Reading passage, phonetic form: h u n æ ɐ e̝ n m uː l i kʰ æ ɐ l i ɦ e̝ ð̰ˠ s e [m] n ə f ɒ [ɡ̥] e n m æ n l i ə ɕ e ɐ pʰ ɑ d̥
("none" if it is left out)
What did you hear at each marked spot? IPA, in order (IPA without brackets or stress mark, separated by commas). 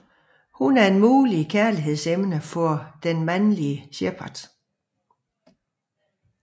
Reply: m, d̥